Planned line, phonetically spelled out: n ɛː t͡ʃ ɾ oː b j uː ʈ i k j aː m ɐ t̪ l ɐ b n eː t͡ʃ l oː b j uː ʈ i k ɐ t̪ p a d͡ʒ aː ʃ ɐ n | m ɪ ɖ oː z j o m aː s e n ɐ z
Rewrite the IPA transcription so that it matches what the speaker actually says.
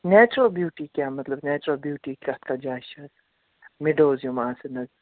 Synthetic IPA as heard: n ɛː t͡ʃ ɾ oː b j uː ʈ i k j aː m ɐ t̪ l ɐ b n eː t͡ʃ ɾ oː b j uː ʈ i k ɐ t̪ k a d͡ʒ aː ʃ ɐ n | m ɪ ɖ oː z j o m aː s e n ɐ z